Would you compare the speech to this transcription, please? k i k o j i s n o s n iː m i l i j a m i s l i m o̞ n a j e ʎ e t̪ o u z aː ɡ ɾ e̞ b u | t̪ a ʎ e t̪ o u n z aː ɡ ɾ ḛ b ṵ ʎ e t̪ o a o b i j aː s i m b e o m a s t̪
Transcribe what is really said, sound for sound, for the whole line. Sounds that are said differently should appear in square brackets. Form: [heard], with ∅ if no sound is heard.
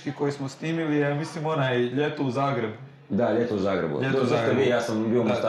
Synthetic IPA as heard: k i k o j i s [m] o s n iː m i l i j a m i s l i m o̞ n a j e ʎ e t̪ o u z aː ɡ ɾ e̞ b u | [d̪] a ʎ e t̪ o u [∅] z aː ɡ ɾ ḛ b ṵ ʎ e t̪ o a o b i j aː s [a] m b [i] o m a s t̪